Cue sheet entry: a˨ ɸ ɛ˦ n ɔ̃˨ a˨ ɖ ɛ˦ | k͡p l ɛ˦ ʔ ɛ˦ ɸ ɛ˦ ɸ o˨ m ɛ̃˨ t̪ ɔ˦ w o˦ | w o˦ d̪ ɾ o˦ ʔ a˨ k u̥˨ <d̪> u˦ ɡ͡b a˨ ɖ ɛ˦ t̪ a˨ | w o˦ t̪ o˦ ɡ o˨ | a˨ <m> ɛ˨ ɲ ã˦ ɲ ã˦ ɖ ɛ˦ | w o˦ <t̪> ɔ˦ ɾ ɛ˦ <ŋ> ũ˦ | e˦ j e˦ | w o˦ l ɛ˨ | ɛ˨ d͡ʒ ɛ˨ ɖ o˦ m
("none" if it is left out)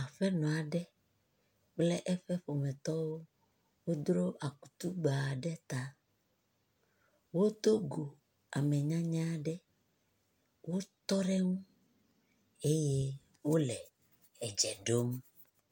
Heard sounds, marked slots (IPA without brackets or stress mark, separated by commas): t̪, m, t̪, ŋ